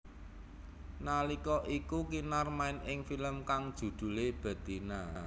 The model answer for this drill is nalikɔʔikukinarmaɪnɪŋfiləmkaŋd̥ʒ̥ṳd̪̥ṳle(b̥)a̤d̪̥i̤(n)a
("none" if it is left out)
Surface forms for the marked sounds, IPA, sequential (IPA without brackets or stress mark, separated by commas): b̥, n